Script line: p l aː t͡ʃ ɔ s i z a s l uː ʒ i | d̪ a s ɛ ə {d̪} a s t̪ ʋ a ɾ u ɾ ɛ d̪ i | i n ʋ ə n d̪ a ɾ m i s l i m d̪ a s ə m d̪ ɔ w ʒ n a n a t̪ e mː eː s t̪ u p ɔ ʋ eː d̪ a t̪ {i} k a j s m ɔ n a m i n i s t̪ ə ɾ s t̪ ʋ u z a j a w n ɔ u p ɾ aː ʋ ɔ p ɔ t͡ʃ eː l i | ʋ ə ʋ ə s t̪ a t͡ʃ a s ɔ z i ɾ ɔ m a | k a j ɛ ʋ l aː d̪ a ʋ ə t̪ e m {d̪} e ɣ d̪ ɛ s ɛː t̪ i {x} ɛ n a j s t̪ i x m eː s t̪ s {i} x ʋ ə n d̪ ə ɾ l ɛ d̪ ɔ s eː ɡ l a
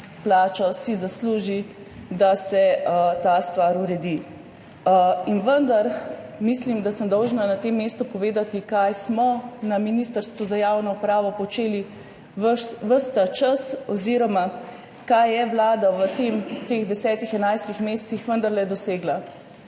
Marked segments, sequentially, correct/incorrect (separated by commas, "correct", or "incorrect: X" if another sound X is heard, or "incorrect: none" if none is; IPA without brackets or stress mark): incorrect: t̪, correct, incorrect: t̪, correct, correct